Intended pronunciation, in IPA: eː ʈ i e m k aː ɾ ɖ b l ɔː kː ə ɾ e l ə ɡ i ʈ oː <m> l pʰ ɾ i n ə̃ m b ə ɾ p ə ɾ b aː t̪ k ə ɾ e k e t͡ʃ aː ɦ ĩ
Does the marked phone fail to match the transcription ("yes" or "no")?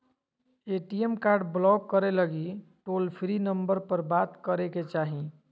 yes